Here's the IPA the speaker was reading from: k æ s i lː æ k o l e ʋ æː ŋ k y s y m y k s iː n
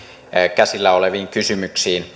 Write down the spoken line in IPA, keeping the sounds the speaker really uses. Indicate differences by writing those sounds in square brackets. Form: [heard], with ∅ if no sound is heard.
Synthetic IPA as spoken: k æ s i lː æ [∅] o l e ʋ [iː] ŋ k y s y m y k s iː n